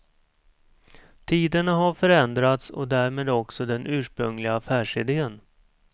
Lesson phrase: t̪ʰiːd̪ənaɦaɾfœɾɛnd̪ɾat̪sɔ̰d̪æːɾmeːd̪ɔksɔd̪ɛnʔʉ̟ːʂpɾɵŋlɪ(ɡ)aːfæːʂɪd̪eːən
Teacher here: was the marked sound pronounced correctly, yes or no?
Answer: yes